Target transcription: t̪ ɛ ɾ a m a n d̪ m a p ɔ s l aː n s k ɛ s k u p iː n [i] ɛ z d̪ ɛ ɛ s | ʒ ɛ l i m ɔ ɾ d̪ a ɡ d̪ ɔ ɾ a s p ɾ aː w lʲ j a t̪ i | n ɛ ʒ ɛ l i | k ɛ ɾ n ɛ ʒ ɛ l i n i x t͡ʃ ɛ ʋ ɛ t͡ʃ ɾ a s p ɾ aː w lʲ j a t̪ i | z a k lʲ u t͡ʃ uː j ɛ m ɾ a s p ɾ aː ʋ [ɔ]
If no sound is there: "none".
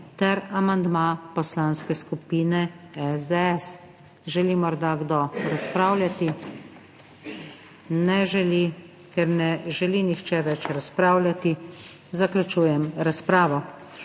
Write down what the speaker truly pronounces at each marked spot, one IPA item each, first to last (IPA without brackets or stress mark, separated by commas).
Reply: ɛ, ɔ